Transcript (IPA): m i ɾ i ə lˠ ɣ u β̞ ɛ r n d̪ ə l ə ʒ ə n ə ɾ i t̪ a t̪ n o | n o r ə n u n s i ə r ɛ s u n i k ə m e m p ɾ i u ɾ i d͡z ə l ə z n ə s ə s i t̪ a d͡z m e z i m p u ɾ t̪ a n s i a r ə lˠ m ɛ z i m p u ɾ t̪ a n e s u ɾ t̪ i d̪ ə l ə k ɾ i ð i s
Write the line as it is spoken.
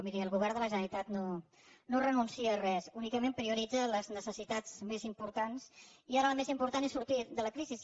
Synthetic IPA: m i ɾ i ə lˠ ɣ u β̞ ɛ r n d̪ ə l ə ʒ ə n ə ɾ i t̪ a t̪ n o | n o r ə n u n s i ə r ɛ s u n i k ə m e m p ɾ i u ɾ i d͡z ə l ə z n ə s ə s i t̪ a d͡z m e z i m p u ɾ t̪ a n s i a ɾ ə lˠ m e z i m p u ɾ t̪ a n e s u ɾ t̪ i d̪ ə l ə k ɾ i z i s